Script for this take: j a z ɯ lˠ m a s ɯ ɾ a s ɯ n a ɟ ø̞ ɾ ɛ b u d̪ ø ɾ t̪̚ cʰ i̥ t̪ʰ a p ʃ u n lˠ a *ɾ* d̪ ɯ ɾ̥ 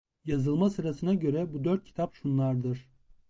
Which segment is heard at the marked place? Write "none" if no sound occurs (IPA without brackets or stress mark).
ɾ